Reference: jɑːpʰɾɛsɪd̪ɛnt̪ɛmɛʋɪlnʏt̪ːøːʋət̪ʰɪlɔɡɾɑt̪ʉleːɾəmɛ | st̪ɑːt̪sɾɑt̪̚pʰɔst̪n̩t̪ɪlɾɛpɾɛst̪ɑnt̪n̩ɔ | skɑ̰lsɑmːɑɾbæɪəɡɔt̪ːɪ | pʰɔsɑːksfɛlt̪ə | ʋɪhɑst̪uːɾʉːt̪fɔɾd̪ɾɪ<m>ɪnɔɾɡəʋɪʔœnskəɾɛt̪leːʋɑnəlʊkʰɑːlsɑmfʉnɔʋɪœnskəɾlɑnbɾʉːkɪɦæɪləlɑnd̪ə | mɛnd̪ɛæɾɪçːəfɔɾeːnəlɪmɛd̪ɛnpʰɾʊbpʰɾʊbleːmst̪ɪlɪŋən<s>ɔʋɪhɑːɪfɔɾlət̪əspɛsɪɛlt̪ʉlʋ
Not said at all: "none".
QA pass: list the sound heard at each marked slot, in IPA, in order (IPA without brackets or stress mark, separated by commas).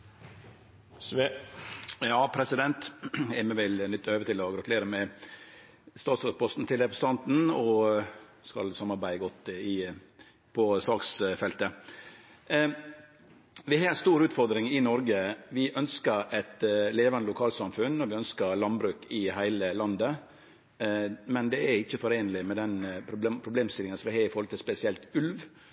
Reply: ŋ, s